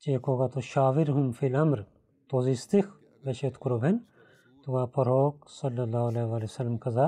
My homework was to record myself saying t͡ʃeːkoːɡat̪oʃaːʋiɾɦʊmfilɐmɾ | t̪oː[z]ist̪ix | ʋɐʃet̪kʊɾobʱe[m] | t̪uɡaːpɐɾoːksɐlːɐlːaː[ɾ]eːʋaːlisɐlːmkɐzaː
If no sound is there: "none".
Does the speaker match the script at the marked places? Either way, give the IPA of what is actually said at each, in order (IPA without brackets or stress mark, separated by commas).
z, n, l